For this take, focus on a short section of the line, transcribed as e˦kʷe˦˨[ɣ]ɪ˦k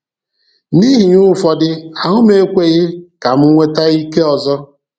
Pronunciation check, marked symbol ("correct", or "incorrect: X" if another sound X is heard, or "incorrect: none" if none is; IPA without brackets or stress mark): correct